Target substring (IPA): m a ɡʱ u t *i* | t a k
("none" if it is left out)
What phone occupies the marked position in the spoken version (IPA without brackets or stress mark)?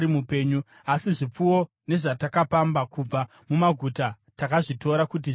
a